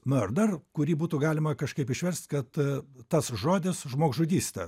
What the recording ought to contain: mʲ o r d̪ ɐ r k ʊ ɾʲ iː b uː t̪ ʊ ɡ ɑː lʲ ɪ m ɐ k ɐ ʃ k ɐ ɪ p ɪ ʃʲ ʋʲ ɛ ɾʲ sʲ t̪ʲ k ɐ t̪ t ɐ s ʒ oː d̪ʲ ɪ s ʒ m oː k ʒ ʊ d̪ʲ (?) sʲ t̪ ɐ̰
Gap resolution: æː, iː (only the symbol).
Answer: iː